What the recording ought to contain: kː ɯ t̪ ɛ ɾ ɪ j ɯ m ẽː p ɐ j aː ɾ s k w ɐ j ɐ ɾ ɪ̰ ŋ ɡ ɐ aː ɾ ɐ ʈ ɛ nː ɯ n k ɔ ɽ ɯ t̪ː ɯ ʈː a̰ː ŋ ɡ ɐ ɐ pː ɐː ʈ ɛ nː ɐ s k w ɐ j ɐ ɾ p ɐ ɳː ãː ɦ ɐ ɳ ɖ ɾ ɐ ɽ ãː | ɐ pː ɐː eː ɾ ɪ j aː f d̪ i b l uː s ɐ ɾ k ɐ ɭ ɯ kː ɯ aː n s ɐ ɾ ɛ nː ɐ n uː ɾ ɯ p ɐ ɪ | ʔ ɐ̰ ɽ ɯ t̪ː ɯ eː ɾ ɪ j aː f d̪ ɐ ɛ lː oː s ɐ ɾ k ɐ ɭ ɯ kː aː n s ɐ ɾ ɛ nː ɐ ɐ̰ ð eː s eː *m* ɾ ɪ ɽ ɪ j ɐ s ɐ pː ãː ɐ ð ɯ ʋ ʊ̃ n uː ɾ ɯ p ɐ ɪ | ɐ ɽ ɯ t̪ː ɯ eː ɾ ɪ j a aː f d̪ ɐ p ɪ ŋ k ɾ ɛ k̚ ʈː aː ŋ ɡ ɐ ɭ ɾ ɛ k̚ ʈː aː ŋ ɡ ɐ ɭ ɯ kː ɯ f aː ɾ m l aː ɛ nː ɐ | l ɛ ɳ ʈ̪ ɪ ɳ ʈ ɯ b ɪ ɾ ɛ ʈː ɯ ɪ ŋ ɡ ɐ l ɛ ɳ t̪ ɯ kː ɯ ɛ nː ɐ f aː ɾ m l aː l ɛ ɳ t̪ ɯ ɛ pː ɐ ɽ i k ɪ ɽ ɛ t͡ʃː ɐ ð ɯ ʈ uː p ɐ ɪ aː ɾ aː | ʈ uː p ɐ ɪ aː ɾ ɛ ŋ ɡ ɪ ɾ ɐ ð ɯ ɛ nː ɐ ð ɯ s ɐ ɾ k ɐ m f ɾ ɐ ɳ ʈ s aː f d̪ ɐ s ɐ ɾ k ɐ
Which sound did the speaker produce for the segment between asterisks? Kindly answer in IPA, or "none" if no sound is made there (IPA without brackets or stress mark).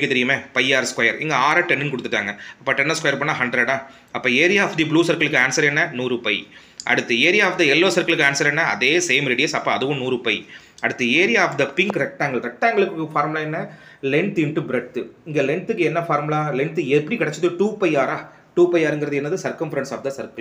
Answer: m